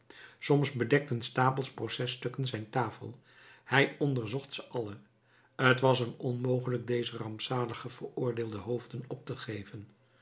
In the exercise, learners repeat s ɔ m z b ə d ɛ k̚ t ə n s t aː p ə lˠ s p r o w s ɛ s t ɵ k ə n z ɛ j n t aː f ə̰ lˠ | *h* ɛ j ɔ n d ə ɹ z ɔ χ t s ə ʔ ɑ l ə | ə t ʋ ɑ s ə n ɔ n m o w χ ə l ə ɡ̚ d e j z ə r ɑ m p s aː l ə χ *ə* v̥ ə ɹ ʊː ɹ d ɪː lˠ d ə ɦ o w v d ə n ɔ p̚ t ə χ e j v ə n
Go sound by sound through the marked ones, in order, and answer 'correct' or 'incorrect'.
correct, correct

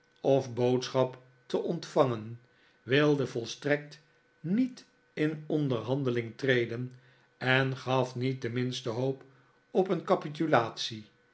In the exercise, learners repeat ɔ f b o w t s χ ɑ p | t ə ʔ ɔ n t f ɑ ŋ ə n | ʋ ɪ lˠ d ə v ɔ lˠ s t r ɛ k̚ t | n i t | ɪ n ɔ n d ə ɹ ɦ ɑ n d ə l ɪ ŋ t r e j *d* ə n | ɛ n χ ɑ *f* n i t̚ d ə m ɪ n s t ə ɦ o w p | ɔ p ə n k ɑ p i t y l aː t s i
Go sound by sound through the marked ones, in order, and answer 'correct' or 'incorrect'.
correct, correct

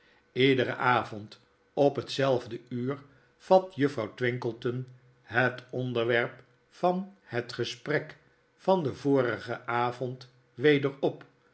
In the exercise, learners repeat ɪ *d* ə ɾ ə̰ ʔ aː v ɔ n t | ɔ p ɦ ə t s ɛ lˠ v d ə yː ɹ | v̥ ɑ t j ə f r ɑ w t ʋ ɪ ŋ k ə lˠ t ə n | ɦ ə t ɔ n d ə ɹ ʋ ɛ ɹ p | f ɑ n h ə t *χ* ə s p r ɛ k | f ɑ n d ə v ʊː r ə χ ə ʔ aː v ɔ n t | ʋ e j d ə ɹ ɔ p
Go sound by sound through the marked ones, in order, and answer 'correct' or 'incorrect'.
correct, correct

